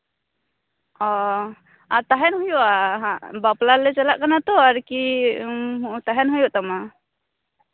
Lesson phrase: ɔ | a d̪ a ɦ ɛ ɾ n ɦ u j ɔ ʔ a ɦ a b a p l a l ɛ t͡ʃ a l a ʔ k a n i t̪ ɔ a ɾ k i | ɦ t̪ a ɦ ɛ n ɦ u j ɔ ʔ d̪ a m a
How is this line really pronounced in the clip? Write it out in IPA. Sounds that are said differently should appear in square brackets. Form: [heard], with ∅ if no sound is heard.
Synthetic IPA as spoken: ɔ | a [t̪] a ɦ ɛ [∅] n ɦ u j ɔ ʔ a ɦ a b a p l a l ɛ t͡ʃ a l a ʔ k a n [a] t̪ ɔ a ɾ k i | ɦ t̪ a ɦ ɛ n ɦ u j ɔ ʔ [t̪] a m a